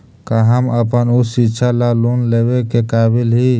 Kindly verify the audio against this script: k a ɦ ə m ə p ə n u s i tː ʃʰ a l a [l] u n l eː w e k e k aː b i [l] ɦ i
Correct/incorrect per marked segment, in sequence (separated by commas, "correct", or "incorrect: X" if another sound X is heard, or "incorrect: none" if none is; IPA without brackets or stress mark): correct, correct